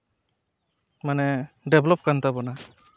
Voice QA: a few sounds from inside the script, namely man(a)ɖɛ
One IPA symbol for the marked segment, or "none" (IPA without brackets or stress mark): ɛ